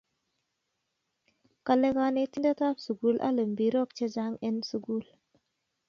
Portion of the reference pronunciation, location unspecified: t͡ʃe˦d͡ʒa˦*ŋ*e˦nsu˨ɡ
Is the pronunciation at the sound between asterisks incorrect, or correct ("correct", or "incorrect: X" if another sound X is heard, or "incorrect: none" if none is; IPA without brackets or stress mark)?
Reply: correct